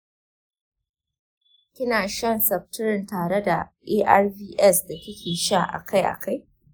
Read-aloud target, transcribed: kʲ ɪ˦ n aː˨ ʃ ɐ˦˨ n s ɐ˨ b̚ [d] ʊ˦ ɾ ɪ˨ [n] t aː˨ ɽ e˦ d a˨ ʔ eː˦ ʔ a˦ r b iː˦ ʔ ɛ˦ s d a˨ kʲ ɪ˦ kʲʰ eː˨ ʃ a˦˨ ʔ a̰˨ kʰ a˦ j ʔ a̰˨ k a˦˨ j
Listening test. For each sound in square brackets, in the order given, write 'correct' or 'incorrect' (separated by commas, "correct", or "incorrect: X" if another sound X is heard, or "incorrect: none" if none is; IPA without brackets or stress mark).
incorrect: t, correct